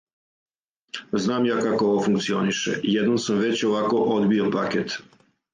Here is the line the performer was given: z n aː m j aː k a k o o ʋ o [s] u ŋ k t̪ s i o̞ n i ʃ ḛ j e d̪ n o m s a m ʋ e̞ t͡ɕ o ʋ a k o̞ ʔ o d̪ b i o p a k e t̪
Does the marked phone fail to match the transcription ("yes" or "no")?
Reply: yes